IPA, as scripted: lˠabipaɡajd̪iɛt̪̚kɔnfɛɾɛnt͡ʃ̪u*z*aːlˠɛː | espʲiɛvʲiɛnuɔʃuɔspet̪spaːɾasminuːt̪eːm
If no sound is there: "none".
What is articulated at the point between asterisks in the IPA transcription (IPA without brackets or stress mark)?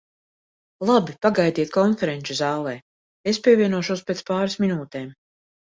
z